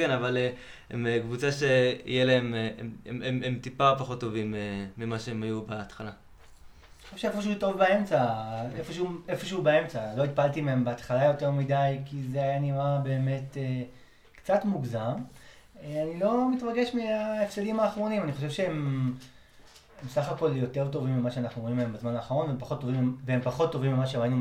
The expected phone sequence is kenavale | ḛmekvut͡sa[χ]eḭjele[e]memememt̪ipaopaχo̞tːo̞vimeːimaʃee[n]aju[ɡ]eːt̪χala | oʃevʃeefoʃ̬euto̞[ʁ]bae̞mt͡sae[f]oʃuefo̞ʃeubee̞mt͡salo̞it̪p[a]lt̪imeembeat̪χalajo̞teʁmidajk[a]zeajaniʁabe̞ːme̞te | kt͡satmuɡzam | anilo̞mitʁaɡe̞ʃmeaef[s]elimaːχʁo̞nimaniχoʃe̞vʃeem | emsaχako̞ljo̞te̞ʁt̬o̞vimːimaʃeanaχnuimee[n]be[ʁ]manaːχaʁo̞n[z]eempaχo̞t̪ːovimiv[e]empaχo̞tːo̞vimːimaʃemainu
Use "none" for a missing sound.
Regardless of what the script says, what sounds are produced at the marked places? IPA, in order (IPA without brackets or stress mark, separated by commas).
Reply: ʃ, e, m, b, v, f, a, i, s, m, z, v, e